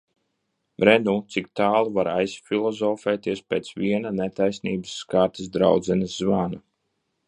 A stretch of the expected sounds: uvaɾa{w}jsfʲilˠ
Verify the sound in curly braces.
incorrect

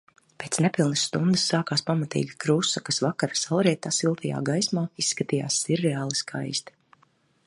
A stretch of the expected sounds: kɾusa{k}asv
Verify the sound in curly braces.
correct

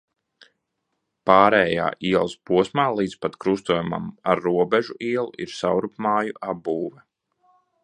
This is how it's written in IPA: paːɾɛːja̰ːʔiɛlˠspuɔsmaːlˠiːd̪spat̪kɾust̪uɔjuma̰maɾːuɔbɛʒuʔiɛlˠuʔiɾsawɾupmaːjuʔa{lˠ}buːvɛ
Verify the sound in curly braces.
incorrect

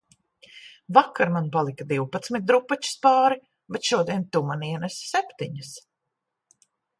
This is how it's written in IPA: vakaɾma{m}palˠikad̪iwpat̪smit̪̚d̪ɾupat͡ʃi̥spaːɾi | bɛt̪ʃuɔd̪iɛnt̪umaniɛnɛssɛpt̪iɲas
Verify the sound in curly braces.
incorrect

